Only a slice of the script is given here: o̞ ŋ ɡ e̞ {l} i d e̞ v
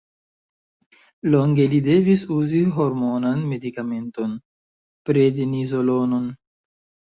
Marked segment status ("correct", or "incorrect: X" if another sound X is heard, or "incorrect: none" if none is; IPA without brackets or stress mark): correct